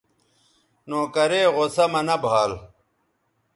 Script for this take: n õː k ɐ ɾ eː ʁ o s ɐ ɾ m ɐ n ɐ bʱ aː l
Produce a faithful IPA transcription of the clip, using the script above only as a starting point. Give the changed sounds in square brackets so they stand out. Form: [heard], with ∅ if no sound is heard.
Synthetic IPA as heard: n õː k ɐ ɾ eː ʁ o s ɐ [∅] m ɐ n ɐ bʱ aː l